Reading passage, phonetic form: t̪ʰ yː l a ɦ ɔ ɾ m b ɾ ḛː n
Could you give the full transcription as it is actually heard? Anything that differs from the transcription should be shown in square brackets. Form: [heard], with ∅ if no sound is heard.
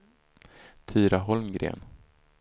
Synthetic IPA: t̪ʰ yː [ɾ] a ɦ ɔ [l] m [ɡ] ɾ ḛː n